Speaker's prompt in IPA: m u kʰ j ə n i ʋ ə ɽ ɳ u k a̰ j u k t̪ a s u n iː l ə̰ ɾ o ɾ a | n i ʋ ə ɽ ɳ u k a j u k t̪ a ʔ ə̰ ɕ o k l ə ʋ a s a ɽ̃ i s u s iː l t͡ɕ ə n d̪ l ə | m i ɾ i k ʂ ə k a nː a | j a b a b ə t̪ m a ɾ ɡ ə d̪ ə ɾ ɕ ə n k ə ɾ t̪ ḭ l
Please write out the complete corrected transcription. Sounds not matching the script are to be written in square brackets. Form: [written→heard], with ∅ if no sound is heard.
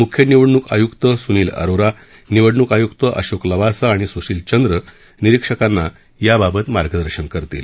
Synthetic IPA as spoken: m u kʰ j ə n i ʋ ə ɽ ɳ u k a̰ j u k t̪ [a→ə] s u n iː l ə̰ ɾ o ɾ a | n i ʋ ə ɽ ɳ u k a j u k t̪ [a→ə] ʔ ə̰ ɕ o k l ə ʋ a s a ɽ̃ i s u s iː l t͡ɕ ə n d̪ [l→ɾ] ə | [m→n] i ɾ i k ʂ ə k a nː a | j a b a b ə t̪ m a ɾ ɡ ə d̪ ə ɾ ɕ ə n k ə ɾ t̪ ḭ l